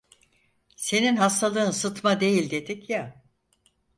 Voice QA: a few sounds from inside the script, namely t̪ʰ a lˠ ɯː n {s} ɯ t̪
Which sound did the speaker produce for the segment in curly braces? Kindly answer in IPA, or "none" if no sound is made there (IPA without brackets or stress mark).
s